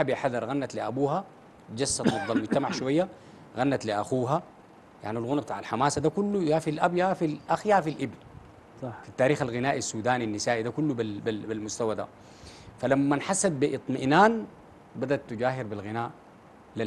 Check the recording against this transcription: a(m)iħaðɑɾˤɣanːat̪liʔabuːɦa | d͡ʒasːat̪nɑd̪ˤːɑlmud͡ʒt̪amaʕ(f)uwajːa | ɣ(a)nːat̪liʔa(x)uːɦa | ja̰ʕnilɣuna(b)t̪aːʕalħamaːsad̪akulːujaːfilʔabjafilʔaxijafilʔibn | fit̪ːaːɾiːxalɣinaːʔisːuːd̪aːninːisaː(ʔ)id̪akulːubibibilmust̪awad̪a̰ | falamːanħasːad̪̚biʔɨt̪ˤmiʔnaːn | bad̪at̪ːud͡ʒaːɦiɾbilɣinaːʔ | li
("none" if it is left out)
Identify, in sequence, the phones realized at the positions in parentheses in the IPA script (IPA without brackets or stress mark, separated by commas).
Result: b, ʃ, a, x, b, ʔ